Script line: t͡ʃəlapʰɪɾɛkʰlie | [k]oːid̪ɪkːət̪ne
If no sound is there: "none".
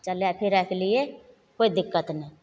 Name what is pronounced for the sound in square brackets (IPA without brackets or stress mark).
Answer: k